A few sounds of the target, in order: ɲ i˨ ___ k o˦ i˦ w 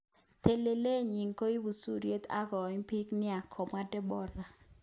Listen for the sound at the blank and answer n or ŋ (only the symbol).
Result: ŋ